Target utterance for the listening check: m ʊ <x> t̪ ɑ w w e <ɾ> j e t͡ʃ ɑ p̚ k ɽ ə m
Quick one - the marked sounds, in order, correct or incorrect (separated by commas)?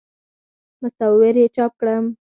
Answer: incorrect, correct